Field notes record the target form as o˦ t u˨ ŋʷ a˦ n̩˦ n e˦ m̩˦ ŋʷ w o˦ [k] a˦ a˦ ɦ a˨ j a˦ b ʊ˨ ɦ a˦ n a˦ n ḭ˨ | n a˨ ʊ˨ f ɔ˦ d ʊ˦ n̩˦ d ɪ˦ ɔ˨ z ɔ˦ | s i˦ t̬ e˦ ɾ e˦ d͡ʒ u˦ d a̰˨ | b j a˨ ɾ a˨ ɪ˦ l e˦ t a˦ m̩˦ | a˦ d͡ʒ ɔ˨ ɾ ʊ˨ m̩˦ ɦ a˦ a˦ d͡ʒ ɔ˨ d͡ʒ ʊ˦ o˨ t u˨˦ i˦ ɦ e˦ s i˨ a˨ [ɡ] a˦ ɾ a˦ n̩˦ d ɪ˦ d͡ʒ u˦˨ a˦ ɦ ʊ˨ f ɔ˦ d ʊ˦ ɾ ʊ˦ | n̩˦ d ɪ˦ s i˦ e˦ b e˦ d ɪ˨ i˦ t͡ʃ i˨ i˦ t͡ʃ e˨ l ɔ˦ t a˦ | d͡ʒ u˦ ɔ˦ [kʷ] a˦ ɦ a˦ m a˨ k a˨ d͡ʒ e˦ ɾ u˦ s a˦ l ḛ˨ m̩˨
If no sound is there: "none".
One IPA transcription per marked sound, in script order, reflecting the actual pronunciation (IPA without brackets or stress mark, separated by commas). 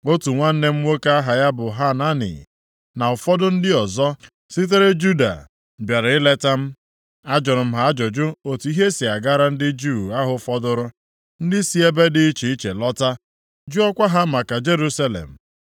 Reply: k, ɡ, kʷ